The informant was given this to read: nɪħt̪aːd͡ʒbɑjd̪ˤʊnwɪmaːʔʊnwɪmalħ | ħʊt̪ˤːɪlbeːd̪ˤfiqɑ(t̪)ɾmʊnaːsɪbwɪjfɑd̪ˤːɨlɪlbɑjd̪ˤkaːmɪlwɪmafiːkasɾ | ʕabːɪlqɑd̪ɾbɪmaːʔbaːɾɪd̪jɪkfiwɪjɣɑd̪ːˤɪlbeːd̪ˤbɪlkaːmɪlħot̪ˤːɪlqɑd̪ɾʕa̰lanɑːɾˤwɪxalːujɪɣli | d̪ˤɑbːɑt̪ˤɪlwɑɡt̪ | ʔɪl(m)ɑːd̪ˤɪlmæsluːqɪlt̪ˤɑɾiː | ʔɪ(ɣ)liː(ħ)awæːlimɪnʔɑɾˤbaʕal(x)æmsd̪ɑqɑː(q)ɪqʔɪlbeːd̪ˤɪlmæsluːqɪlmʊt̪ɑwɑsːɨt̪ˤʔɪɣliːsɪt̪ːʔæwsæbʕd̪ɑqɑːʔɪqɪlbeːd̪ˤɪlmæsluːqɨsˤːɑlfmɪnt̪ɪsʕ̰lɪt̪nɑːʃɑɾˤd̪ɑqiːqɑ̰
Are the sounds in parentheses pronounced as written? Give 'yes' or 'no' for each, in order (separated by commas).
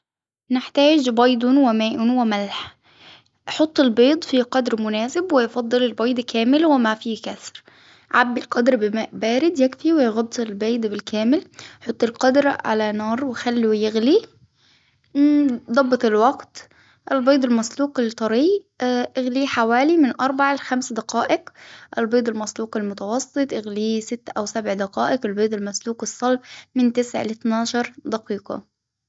no, no, yes, yes, yes, no